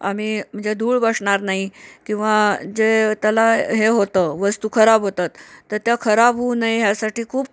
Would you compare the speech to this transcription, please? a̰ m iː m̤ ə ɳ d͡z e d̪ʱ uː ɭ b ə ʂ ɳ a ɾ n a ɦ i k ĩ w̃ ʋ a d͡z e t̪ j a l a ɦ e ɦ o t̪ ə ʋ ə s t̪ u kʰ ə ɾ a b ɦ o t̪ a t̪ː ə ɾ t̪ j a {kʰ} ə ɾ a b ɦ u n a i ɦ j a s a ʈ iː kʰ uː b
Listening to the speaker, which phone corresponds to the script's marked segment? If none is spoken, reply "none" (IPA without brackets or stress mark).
kʰ